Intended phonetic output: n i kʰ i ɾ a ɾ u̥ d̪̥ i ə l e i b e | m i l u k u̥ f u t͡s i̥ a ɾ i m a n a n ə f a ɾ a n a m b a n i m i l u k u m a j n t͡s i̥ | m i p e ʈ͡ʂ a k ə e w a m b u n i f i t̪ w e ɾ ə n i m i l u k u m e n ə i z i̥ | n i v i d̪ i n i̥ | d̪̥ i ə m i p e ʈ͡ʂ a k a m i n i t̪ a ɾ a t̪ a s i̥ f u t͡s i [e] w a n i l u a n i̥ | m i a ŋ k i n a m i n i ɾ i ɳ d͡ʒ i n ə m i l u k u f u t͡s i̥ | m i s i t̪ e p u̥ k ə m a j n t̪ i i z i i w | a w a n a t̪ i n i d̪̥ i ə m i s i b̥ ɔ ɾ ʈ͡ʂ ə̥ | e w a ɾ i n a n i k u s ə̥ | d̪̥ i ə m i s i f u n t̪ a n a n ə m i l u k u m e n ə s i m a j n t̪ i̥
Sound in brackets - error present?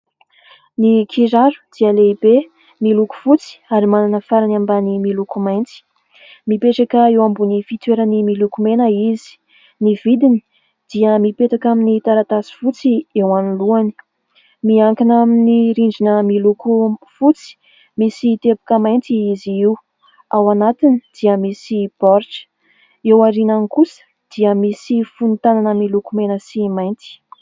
no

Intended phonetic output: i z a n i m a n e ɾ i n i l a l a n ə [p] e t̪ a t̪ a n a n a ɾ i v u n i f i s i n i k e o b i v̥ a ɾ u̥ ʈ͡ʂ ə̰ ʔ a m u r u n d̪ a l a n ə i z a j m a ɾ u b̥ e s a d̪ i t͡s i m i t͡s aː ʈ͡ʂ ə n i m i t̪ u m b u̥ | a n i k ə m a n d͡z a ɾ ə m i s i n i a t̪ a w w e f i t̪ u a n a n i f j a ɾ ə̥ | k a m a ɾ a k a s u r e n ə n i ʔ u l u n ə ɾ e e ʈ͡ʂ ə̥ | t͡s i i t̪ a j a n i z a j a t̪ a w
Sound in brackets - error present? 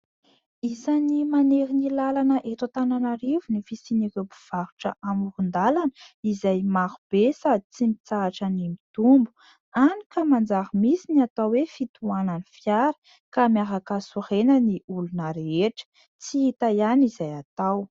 yes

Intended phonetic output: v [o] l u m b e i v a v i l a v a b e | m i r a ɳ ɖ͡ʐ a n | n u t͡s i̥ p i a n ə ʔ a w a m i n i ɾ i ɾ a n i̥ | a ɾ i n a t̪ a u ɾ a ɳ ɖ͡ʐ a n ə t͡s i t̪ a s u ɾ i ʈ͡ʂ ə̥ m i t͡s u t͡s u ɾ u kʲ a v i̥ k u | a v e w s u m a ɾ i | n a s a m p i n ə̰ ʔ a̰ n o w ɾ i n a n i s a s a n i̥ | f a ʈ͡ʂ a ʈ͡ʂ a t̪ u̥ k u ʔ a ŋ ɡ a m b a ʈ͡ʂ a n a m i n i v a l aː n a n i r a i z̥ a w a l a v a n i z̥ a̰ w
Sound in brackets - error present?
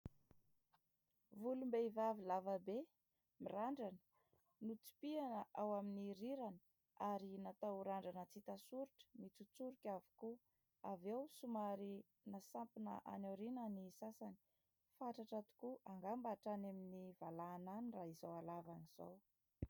yes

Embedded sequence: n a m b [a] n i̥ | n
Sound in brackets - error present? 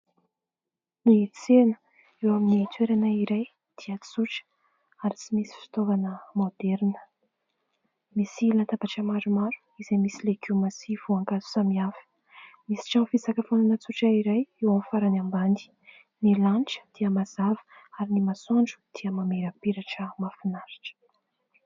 no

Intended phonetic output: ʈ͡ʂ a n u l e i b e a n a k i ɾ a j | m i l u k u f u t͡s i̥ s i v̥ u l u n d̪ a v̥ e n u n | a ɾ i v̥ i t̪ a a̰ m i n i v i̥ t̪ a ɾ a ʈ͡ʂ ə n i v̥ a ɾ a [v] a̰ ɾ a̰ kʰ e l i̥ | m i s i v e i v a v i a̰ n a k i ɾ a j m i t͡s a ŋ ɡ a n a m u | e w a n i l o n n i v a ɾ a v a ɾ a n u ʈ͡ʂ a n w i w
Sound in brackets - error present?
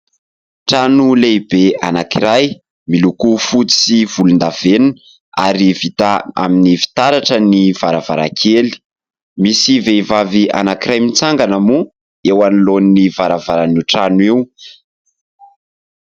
no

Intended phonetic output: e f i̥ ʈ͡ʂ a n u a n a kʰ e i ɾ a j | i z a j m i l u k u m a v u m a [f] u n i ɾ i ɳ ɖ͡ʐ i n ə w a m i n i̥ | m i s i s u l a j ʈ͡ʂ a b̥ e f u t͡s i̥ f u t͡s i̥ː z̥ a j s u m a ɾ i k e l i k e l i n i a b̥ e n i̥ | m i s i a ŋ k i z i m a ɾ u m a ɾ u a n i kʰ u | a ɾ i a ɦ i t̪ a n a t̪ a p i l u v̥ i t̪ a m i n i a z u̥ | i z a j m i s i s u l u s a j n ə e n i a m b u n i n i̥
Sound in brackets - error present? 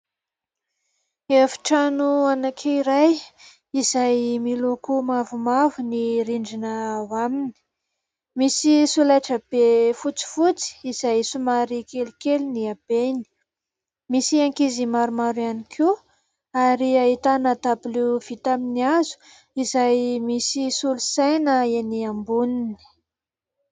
yes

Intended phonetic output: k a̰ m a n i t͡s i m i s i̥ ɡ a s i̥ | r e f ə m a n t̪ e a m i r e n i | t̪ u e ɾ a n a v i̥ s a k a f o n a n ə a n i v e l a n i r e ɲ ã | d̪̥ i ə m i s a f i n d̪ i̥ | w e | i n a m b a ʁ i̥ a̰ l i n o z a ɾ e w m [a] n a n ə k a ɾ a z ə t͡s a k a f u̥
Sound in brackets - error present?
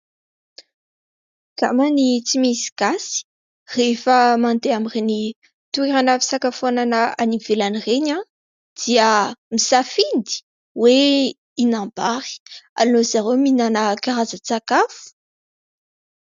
yes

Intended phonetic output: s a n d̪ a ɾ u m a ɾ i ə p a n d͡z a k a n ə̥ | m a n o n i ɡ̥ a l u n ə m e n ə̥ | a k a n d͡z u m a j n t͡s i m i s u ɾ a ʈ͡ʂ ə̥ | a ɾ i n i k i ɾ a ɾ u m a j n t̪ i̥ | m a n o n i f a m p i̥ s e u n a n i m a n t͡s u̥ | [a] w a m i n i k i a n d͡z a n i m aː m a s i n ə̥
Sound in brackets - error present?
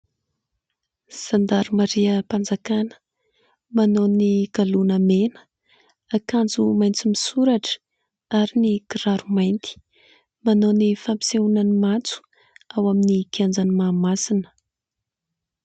no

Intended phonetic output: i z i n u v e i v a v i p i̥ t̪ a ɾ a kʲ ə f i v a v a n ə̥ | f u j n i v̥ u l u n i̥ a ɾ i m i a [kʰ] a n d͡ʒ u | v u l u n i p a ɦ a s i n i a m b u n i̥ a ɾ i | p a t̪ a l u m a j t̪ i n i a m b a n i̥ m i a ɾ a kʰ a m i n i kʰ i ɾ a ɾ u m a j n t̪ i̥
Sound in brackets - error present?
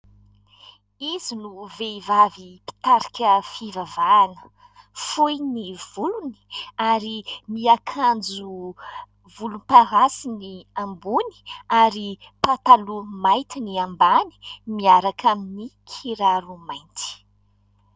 no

